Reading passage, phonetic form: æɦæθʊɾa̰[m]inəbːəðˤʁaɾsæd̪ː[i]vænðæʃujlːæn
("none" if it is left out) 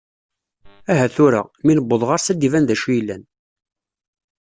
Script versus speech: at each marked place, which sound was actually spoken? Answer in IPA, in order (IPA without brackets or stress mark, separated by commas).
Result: m, i